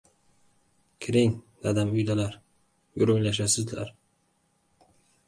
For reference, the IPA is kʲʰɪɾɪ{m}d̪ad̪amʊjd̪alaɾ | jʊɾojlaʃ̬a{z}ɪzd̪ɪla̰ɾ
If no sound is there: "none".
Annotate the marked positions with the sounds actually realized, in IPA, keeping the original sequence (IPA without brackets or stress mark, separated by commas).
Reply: ŋ, s